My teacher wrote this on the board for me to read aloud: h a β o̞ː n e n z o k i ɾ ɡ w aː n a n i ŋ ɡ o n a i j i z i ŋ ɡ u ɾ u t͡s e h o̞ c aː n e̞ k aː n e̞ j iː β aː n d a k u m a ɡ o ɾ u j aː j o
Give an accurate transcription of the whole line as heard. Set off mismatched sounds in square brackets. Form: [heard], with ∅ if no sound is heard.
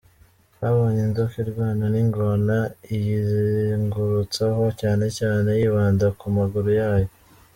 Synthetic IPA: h a β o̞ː [ɲ] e n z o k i ɾ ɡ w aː n a n i ŋ ɡ o n a i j i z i ŋ ɡ u ɾ u t͡s [a] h o̞ c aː n e̞ [c] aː n e̞ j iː β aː n d a k u m a ɡ [u] ɾ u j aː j o